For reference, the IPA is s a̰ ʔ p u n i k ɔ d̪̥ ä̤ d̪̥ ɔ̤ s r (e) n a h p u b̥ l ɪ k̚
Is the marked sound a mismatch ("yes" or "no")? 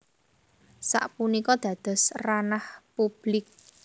yes